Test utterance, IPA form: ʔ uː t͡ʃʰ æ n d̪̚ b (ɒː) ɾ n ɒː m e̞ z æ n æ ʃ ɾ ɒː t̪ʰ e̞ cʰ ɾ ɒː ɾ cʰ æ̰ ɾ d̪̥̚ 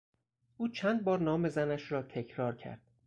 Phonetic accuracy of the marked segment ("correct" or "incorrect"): correct